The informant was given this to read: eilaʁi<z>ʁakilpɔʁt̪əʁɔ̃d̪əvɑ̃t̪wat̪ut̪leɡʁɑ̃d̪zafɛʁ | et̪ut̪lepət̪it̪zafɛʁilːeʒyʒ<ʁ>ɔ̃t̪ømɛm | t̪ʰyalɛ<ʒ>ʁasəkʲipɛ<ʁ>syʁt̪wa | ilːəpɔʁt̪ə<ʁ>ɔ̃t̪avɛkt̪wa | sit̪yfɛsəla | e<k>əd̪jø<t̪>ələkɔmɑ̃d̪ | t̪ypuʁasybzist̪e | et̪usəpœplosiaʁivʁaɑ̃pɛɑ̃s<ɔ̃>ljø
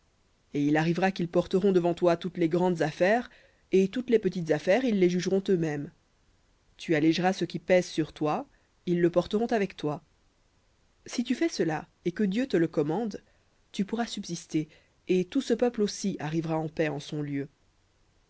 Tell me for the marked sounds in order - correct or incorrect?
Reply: incorrect, correct, correct, incorrect, correct, correct, correct, correct

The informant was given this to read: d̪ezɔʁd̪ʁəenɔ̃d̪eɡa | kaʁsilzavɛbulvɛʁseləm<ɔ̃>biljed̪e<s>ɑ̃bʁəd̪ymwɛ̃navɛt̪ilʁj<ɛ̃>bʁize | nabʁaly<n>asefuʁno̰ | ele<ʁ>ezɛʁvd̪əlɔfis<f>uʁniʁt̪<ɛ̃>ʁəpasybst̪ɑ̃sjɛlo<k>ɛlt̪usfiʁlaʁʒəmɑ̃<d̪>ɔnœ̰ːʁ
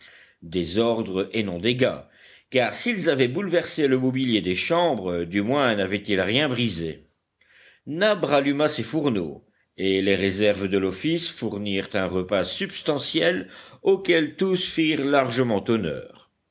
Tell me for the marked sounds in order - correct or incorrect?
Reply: incorrect, incorrect, correct, incorrect, correct, correct, correct, correct, incorrect

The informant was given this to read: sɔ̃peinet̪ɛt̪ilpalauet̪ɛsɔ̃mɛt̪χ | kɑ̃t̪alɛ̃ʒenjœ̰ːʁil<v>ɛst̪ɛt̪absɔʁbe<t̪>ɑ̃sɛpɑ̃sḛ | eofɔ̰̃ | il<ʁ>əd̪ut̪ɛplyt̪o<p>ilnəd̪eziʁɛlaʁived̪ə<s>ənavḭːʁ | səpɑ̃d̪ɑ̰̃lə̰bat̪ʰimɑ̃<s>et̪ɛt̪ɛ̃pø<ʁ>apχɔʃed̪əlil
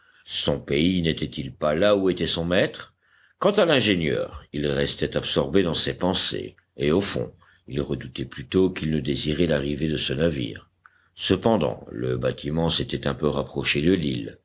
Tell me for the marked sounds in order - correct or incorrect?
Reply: incorrect, incorrect, correct, incorrect, correct, correct, correct

